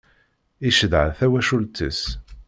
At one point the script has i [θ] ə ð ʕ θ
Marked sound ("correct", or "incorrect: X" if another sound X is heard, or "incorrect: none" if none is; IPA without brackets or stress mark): incorrect: ʃ